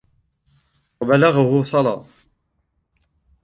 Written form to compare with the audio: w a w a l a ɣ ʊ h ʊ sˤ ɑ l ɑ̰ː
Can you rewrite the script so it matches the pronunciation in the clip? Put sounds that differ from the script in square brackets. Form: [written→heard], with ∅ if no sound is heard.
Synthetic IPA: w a [w→b] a l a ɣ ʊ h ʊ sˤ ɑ l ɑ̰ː